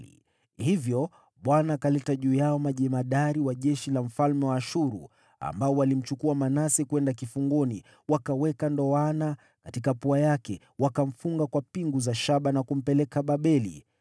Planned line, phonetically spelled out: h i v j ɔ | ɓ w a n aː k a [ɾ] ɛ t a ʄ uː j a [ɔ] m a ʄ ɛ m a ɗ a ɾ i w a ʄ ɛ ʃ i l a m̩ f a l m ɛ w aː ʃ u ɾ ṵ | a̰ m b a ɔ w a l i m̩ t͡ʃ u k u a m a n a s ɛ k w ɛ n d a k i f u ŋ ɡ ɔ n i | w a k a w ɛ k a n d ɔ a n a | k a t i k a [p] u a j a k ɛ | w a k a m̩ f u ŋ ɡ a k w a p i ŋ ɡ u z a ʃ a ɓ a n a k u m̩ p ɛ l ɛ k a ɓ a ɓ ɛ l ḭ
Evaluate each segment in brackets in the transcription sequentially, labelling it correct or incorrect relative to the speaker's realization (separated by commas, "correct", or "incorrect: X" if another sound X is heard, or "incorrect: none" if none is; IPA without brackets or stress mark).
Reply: incorrect: l, correct, correct